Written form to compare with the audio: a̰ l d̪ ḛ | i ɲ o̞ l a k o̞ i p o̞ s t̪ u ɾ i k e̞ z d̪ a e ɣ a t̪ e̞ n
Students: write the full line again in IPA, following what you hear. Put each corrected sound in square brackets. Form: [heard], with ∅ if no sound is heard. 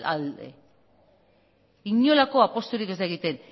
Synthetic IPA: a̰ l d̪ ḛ | i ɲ o̞ l a k o̞ [a] p o̞ s t̪ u ɾ i k e̞ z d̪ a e ɣ [i] t̪ e̞ n